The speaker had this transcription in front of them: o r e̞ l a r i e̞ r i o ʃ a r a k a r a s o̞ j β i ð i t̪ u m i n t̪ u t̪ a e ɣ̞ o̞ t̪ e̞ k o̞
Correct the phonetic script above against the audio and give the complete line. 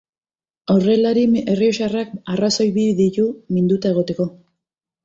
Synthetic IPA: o r e̞ l a ɾ i e̞ r i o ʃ a r a k a r a s o̞ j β i ð i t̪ u m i n d̪ u t̪ a e ɣ̞ o̞ t̪ e̞ k o̞